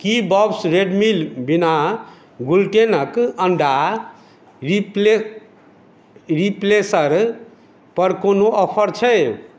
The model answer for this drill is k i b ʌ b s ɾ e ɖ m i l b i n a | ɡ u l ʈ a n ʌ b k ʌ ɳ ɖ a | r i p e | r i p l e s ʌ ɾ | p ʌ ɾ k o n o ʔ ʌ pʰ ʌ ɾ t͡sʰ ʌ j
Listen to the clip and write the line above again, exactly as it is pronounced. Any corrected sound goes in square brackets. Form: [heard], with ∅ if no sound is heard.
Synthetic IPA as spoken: k i b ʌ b s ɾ e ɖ m i l b i n a | ɡ u l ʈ [e] n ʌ [∅] k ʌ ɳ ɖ a | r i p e | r i p l e s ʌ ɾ | p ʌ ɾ k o n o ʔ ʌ pʰ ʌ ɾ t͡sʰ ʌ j